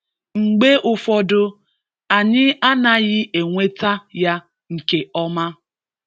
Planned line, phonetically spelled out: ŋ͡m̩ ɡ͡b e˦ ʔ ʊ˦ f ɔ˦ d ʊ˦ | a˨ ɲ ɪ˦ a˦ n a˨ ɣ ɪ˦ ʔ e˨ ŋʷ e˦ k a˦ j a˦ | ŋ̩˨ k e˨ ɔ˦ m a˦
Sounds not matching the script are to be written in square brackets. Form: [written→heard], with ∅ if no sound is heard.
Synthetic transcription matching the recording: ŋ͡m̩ ɡ͡b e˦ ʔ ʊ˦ f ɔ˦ d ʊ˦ | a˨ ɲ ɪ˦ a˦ n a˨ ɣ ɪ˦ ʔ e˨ ŋʷ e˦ [k→t] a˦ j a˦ | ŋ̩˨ k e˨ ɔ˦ m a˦

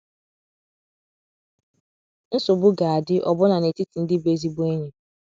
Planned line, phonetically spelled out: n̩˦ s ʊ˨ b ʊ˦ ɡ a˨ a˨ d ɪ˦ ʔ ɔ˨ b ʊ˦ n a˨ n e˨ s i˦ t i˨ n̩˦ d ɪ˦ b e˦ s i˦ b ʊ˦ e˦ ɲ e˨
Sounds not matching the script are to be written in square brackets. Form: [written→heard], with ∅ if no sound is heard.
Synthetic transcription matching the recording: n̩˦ s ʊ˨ b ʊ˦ ɡ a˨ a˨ d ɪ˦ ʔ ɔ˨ b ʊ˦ n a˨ n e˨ [s→t] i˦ t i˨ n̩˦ d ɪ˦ b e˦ [s→z] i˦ b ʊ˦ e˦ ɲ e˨

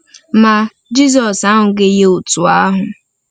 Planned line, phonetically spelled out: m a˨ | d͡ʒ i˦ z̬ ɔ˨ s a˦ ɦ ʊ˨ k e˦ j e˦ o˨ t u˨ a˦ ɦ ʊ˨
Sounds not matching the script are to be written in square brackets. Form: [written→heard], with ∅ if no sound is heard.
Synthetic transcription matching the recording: m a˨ | d͡ʒ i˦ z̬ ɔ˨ s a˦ ɦ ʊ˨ [k→ɡ] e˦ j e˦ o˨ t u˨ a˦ ɦ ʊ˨

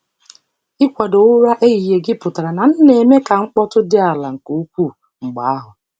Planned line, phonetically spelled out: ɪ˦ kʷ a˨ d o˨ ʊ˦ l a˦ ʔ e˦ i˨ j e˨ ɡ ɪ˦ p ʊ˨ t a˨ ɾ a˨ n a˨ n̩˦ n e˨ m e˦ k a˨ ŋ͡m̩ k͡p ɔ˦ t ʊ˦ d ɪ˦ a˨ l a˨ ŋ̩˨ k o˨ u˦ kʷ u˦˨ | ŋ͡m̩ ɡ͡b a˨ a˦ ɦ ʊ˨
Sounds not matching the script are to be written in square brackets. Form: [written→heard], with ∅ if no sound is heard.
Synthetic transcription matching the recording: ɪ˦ kʷ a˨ d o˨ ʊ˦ [l→ɾ] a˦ ʔ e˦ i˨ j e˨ ɡ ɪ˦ p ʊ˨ t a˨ ɾ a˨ n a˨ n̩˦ n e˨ m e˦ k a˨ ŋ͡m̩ k͡p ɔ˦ t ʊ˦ d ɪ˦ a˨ l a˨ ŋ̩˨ k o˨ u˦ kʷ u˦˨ | ŋ͡m̩ ɡ͡b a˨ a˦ ɦ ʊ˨

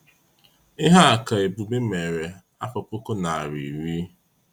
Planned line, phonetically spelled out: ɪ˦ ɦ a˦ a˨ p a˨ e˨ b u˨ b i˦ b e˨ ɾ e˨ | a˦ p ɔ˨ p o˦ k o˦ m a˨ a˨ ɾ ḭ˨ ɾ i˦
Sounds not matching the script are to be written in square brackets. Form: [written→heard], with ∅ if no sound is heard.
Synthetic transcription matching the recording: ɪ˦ ɦ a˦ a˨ [p→k] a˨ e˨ b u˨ b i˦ [b→m] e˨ ɾ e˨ | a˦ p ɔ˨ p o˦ k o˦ [m→n] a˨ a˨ ɾ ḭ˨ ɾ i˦

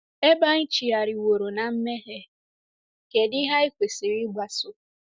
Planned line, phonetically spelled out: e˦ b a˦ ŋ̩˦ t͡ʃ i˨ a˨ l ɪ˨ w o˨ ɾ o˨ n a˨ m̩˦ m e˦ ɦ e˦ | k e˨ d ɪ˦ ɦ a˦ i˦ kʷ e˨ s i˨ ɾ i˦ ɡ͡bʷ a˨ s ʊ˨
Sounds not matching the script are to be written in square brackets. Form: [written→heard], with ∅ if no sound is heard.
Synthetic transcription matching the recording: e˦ b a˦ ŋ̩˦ t͡ʃ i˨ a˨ [l→ɾ] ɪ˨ w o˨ ɾ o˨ n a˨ m̩˦ m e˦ ɦ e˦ | k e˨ d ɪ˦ ɦ a˦ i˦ kʷ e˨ s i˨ ɾ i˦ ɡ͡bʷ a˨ s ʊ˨

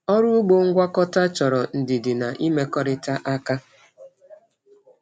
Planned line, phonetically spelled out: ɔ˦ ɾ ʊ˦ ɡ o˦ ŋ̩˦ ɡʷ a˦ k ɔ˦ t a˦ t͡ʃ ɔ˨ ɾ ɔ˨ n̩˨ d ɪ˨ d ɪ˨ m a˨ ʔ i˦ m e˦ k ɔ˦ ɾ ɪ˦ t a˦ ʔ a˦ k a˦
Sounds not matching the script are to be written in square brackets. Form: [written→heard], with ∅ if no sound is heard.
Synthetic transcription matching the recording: ɔ˦ ɾ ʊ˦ [ɡ→ɡ͡b] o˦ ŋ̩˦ ɡʷ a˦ k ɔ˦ t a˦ t͡ʃ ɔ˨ ɾ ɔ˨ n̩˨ d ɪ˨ d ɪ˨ [m→n] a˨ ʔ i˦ m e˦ k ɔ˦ ɾ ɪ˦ t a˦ ʔ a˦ k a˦

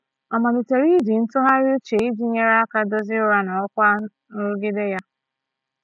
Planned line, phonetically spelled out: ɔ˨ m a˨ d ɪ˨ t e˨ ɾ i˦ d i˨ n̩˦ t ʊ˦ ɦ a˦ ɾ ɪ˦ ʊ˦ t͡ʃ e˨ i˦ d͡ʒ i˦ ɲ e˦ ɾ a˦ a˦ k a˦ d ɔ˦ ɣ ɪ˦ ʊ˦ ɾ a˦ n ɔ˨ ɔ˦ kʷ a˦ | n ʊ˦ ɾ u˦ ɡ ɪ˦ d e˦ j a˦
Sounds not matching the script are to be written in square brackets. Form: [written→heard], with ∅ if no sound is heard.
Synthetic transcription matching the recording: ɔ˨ m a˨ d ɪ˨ t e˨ ɾ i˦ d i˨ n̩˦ t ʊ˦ ɦ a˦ ɾ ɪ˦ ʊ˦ t͡ʃ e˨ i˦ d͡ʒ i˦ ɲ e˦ ɾ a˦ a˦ k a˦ d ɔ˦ [ɣ→z] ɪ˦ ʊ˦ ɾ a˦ n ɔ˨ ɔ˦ kʷ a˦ | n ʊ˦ ɾ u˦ ɡ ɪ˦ d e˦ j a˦

